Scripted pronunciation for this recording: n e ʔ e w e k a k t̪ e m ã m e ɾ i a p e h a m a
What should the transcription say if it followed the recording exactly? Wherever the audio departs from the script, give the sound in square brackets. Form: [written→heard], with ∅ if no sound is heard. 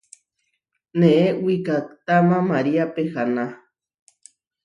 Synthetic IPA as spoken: n e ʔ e w [e→i] k a k t̪ [e→a] m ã m [e→a] ɾ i a p e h a [m→n] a